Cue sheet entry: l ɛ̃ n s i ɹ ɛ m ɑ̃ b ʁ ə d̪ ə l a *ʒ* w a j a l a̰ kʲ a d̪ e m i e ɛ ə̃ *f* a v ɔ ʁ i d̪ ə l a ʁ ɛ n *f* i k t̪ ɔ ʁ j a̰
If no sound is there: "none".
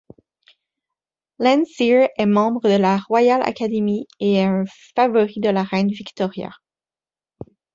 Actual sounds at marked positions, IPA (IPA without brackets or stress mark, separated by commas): ʁ, f, v